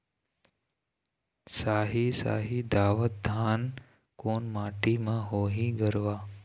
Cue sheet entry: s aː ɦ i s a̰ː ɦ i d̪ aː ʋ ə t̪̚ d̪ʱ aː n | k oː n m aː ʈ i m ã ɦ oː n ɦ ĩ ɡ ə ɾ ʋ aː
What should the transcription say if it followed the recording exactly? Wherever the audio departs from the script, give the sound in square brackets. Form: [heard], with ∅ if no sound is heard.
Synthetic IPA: s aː ɦ i s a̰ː ɦ i d̪ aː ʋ ə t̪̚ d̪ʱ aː n | k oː n m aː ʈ i m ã ɦ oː [∅] ɦ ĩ ɡ ə ɾ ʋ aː